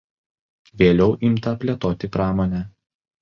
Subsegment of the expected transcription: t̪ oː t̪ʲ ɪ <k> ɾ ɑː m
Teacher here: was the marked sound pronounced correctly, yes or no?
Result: no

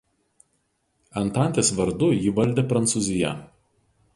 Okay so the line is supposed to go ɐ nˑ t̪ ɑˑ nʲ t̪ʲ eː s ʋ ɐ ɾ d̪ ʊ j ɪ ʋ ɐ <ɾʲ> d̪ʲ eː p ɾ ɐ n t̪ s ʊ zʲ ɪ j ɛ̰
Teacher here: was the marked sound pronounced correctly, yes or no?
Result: no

